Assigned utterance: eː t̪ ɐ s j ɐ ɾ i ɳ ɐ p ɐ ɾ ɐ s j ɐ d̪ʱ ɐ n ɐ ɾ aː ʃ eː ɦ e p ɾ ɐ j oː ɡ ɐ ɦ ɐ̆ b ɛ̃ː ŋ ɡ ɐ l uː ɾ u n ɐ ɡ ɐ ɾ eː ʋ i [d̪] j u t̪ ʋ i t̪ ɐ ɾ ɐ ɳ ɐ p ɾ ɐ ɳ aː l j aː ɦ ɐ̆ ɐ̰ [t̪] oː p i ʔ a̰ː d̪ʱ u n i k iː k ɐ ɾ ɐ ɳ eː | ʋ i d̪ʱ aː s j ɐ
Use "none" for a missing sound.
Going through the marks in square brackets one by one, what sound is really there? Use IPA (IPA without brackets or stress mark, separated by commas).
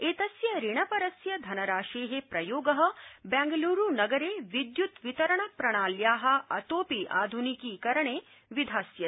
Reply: d̪, t̪